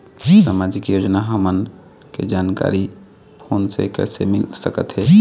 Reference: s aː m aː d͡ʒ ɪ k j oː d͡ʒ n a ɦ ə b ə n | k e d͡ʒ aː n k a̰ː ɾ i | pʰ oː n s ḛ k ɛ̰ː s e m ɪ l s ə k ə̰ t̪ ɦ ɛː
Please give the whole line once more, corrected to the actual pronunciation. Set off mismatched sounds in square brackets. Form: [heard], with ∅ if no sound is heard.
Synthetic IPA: s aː m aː d͡ʒ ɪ k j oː d͡ʒ n a ɦ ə [m] ə n | k e d͡ʒ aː n k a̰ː ɾ i | pʰ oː n s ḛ k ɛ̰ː s e m ɪ l s ə k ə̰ t̪ ɦ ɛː